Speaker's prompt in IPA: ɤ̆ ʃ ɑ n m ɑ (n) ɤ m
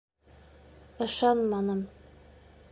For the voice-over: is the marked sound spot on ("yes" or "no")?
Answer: yes